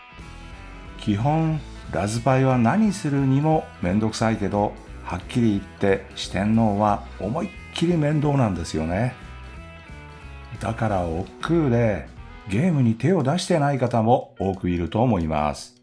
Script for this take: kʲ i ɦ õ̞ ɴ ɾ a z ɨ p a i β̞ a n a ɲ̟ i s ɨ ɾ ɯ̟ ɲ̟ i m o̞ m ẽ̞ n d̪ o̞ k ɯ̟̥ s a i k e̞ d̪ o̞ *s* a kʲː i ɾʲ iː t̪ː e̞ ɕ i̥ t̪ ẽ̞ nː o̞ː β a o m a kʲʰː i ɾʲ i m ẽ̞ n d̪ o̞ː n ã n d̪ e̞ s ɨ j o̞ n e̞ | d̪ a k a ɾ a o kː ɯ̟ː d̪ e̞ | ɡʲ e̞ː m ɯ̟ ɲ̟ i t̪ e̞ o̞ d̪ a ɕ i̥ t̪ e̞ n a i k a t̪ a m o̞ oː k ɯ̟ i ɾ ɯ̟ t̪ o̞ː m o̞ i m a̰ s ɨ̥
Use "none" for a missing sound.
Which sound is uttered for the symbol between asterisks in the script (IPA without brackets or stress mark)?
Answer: h